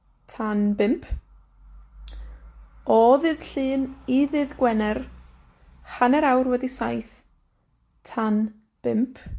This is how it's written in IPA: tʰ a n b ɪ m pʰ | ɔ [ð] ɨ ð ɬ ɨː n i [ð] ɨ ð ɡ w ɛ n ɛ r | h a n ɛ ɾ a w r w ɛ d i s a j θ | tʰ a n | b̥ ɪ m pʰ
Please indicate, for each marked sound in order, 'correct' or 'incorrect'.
correct, correct

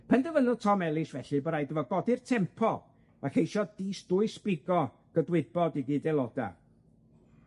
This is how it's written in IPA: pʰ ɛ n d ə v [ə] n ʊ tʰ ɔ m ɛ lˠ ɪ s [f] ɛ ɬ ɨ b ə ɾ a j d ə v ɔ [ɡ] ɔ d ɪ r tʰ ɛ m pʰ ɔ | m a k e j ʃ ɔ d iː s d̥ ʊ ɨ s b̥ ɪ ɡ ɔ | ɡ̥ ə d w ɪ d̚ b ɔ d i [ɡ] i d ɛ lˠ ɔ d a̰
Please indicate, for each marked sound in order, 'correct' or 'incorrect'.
correct, incorrect: v, correct, correct

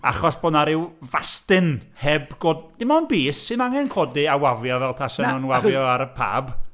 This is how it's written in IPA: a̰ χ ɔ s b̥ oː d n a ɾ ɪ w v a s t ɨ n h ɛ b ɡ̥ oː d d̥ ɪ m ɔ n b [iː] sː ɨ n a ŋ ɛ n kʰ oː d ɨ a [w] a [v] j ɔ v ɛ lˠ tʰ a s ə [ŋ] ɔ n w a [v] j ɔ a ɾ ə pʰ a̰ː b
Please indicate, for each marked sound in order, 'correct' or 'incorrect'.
correct, correct, correct, incorrect: n, correct

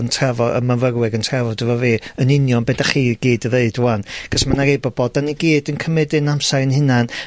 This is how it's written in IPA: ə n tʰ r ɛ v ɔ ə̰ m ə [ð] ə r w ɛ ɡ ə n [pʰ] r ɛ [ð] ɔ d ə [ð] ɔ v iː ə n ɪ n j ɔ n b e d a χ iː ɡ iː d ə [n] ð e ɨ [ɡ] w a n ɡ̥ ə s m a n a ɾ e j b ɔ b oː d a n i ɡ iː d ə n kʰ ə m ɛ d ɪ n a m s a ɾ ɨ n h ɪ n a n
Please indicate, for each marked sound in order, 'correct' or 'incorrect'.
incorrect: v, incorrect: tʰ, incorrect: v, incorrect: v, incorrect: none, incorrect: d

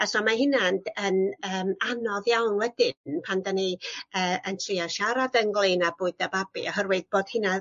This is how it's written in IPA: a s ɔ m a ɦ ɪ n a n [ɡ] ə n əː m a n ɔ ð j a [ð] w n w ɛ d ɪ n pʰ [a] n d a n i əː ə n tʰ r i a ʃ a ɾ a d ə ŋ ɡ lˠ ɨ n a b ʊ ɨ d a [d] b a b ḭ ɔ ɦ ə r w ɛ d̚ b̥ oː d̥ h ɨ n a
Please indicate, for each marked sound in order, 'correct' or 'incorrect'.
incorrect: d, incorrect: none, correct, incorrect: none

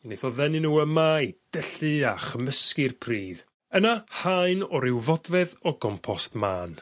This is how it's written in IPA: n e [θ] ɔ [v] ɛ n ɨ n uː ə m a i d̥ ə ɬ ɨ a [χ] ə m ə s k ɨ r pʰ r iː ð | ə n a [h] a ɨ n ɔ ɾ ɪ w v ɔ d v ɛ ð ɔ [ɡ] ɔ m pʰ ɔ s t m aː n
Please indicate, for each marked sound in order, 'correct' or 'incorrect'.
correct, incorrect: ð, correct, correct, correct

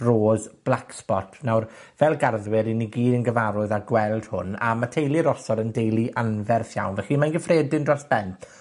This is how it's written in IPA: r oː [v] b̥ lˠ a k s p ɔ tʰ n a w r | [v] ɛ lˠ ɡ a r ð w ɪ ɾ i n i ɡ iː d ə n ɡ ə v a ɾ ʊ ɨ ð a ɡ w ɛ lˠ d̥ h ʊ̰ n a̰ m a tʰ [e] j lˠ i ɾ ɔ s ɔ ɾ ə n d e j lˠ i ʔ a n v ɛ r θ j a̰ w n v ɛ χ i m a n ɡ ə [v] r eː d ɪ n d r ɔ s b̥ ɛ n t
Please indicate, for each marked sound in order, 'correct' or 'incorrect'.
incorrect: z, correct, correct, incorrect: f

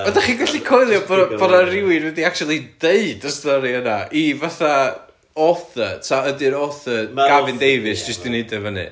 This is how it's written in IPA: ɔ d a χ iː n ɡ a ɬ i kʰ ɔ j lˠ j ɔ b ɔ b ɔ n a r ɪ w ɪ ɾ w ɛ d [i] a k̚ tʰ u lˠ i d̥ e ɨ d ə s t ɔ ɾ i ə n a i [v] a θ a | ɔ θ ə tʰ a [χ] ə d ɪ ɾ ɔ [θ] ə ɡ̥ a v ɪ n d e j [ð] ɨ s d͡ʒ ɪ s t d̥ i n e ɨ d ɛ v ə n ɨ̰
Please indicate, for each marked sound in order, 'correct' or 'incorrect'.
correct, correct, incorrect: none, correct, incorrect: v

